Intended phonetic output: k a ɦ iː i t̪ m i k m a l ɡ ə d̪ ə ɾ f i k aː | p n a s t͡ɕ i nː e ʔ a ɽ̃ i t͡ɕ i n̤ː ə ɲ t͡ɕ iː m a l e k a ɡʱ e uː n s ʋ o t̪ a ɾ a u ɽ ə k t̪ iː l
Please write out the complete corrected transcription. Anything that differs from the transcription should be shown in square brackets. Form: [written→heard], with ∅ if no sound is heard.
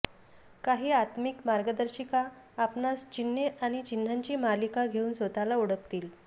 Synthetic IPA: k a ɦ iː [i→a] t̪ m i k m a [l→ɾ] ɡ ə d̪ ə ɾ [f→ɕ] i k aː | p n a s t͡ɕ i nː e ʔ a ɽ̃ i t͡ɕ i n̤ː [ə→a] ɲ t͡ɕ iː m a l [e→i] k a ɡʱ e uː n s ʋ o t̪ a [ɾ→l] a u ɽ ə k t̪ iː l